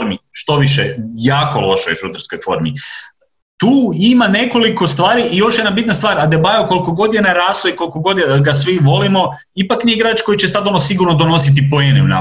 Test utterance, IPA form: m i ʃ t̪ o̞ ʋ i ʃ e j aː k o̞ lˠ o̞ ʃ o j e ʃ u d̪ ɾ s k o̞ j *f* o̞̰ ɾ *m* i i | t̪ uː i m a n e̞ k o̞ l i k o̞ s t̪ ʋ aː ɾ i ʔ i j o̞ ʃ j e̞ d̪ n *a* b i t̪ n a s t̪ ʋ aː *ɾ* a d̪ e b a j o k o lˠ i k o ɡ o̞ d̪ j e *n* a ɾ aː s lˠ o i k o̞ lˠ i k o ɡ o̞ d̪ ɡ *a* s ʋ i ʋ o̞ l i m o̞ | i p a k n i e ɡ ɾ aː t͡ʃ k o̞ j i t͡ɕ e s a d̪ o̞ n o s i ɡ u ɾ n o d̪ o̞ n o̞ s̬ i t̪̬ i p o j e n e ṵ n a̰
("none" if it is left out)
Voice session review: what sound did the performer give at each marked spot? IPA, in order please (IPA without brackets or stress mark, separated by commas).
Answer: f, m, a, ɾ, n, a